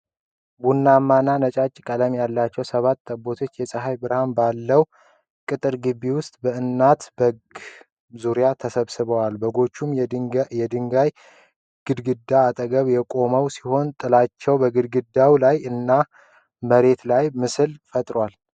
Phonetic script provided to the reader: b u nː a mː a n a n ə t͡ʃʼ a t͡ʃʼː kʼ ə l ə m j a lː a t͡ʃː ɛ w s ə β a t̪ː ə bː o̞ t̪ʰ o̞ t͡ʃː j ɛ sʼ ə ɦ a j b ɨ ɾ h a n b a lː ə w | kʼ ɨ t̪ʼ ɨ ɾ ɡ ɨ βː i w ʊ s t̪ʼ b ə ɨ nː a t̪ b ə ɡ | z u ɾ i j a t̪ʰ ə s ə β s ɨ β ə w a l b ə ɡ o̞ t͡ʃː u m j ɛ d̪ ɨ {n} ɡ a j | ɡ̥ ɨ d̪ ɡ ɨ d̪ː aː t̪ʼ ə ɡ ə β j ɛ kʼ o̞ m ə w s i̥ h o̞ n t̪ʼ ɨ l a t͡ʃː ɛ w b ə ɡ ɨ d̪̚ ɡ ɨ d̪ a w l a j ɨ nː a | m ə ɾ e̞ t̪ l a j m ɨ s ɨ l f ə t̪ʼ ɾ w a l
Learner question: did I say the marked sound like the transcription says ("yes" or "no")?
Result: no